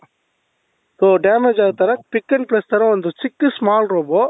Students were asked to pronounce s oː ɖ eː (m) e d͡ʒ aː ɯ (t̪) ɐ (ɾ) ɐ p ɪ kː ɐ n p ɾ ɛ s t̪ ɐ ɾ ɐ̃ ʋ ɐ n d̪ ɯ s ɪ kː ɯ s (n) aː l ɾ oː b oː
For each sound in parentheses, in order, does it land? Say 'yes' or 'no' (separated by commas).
yes, yes, yes, no